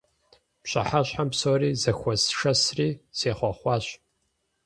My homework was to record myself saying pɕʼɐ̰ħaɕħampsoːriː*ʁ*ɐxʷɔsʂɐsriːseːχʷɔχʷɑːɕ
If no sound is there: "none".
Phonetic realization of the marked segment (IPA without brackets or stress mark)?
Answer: z